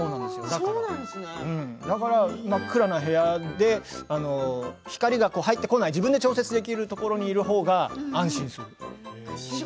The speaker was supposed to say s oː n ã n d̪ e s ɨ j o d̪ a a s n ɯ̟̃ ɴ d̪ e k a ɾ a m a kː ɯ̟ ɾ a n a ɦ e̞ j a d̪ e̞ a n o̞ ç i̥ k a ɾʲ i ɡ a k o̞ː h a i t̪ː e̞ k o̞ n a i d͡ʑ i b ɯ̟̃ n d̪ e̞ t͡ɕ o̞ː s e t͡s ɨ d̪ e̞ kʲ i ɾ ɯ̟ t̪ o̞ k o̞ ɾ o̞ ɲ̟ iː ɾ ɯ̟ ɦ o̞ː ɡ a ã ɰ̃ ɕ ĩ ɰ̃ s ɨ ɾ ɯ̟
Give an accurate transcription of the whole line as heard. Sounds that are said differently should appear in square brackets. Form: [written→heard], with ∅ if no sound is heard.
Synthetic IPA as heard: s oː n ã n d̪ e s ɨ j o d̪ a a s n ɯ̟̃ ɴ d̪ [e→a] k a ɾ a m a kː ɯ̟ ɾ a n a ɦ e̞ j a d̪ e̞ a n o̞ ç i̥ k a ɾʲ i ɡ a k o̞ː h a i t̪ː e̞ k o̞ n a i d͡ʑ i b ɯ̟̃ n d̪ e̞ t͡ɕ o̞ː s e t͡s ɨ d̪ e̞ kʲ i ɾ ɯ̟ t̪ o̞ k o̞ ɾ o̞ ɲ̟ iː ɾ ɯ̟ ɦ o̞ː ɡ a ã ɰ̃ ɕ ĩ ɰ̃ s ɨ ɾ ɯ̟